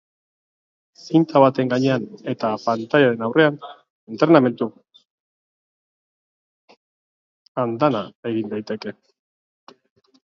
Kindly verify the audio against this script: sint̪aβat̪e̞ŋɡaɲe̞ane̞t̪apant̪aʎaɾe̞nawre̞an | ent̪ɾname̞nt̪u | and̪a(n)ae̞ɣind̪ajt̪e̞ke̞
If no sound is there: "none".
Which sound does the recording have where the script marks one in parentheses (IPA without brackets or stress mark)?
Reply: n